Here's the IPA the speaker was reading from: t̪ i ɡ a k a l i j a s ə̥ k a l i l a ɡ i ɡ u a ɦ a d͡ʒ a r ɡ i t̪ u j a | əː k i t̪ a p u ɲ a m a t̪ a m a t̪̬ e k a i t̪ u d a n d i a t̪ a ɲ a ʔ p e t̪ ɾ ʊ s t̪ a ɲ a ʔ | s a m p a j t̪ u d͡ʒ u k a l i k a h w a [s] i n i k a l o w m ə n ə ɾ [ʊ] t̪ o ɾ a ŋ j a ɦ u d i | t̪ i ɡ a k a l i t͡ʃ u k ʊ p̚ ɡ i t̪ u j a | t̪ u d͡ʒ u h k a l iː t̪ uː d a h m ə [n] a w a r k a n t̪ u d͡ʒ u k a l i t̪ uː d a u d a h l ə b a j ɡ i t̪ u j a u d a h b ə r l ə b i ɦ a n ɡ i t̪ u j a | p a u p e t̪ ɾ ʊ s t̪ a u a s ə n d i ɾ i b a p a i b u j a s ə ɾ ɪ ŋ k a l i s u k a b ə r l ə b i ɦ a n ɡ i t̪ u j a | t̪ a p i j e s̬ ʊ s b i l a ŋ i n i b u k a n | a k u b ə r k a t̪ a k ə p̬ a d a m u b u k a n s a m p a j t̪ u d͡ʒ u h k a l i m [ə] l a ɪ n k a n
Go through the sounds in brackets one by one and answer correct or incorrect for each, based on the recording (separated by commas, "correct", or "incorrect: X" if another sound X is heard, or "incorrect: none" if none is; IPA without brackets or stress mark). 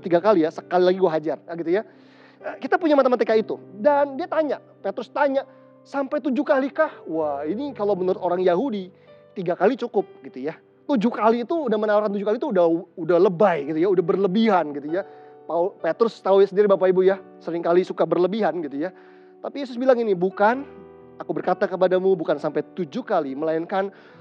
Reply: incorrect: h, correct, correct, correct